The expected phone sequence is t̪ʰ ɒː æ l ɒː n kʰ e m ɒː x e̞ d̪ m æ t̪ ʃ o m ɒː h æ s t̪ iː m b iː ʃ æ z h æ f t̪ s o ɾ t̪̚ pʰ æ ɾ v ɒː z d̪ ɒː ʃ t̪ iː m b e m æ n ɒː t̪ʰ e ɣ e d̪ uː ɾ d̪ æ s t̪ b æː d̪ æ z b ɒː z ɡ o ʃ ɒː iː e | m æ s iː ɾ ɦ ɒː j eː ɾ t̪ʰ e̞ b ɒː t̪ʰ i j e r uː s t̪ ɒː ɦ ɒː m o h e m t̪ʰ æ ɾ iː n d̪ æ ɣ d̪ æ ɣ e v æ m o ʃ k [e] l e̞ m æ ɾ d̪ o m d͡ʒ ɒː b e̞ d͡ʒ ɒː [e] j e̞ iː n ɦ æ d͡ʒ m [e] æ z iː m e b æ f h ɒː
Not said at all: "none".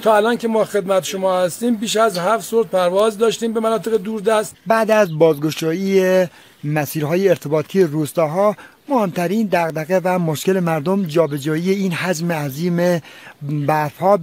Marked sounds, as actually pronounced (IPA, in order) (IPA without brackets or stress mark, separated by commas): e, i, e